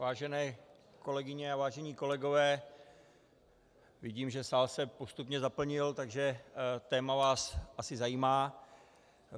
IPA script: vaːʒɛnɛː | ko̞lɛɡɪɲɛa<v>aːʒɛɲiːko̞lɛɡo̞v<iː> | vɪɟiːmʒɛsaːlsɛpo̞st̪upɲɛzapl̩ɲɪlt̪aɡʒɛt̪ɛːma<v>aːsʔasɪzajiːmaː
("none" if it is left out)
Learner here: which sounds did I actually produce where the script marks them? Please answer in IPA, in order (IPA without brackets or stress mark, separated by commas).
v, ɛː, v